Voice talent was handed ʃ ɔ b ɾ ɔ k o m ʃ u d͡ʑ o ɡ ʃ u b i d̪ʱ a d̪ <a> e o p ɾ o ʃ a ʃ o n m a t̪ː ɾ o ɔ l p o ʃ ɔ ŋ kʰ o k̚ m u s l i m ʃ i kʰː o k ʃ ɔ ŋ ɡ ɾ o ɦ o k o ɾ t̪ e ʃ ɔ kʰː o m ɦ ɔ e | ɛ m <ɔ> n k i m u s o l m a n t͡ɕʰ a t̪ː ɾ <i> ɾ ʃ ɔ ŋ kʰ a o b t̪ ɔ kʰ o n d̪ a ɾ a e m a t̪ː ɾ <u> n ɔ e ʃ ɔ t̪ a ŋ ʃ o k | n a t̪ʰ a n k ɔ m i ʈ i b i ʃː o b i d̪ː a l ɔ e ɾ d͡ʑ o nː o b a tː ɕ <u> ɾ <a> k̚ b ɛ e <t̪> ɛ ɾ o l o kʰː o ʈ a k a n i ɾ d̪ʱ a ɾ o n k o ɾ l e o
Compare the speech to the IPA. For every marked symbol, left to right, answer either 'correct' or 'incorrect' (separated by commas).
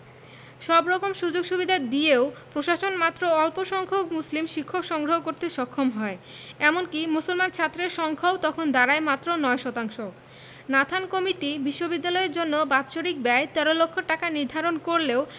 incorrect, incorrect, incorrect, incorrect, incorrect, incorrect, correct